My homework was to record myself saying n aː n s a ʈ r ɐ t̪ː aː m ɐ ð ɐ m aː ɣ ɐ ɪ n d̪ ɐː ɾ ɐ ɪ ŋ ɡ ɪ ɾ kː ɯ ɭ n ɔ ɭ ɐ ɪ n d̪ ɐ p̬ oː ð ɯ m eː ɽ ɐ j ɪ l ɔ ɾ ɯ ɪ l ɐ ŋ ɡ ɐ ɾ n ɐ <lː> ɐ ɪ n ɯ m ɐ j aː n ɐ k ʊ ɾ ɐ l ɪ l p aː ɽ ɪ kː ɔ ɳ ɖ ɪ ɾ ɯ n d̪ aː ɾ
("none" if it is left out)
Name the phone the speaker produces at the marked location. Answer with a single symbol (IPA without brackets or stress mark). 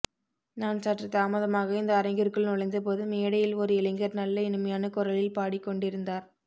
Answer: lː